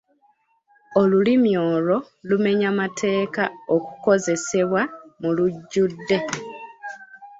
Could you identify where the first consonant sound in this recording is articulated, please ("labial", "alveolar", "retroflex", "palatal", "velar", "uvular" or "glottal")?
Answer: alveolar